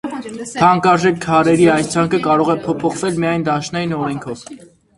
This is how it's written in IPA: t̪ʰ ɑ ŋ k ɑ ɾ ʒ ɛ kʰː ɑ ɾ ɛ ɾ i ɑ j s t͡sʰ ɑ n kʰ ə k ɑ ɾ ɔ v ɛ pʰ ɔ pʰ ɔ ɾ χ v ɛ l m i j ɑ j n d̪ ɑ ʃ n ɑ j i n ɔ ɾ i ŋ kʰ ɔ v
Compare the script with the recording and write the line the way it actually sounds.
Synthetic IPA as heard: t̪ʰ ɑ ŋ k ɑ ɾ ʒ ɛ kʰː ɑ ɾ ɛ ɾ i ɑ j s t͡sʰ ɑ ŋ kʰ ə k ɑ ɾ ɔ ʁ ɛ pʰ ɔ pʰ ɔ χ v ɛ l m i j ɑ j n d̪ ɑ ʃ n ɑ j i n ɔ ɾ ɛ ŋ kʰ ɔ v

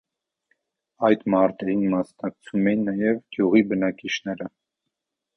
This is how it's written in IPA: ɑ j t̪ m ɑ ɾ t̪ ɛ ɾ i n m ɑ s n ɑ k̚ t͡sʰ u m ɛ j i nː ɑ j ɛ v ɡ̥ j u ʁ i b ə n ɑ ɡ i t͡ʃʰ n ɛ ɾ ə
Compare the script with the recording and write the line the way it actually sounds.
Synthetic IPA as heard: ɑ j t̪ m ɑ ɾ t̪ ɛ ɾ i n m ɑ s n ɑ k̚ t͡sʰ u m ɛ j i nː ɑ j ɛ v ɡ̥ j u ʁ i b ə n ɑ k i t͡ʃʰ n ɛ ɾ ə

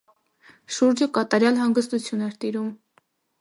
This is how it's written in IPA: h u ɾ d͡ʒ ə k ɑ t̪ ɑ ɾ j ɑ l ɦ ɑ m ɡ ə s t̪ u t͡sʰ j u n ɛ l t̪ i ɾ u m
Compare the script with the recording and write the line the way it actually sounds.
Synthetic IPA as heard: ʃ u ɾ d͡ʒ ə k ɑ t̪ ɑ ɾ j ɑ l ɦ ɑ ŋ ɡ ə s t̪ u t͡sʰ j u n ɛ ɾ t̪ i ɾ u m

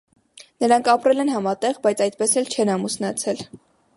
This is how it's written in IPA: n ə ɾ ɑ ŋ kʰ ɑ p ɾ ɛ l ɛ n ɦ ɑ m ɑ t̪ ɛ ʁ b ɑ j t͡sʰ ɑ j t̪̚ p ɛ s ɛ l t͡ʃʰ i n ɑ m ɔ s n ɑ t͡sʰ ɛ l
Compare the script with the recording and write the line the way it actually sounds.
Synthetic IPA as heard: n ə ɾ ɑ ŋ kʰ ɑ p ɾ ɛ l ɛ n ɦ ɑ m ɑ t̪ ɛ ʁ b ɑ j t͡sʰ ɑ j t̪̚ p ɛ s ɛ l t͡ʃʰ ɛ n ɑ m u s n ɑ t͡sʰ ɛ l

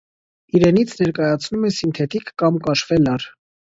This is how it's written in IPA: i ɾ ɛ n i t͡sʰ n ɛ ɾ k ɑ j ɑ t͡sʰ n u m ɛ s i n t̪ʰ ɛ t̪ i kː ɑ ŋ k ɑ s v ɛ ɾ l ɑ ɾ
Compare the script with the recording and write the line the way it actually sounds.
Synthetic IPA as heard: i ɾ ɛ n i t͡sʰ n ɛ ɾ k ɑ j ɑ t͡sʰ n u m ɛ s i n t̪ʰ ɛ t̪ i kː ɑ m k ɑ ʃ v ɛ l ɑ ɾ

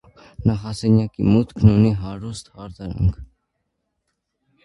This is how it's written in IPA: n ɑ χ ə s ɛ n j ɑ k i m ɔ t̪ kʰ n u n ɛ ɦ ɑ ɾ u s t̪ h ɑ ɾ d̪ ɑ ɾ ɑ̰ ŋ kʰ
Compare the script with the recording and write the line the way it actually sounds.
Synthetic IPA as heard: n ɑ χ ɑ s ɛ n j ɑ k i m u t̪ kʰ n u n i ɦ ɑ ɾ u s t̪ h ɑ ɾ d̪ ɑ ɾ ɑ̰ ŋ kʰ

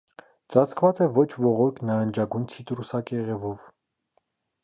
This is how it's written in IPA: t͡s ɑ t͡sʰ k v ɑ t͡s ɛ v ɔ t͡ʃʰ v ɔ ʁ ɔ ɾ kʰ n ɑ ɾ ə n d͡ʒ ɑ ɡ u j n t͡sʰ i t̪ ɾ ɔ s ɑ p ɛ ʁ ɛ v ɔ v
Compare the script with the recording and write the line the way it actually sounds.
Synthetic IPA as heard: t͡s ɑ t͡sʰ k v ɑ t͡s ɛ v ɔ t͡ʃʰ v ɔ ʁ ɔ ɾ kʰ n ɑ ɾ ə n d͡ʒ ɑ ɡ u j n t͡sʰ i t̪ ɾ u s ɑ k ɛ ʁ ɛ v ɔ v

